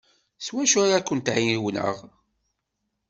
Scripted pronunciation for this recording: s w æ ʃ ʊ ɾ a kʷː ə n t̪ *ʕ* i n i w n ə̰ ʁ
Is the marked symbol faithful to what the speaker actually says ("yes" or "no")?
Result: yes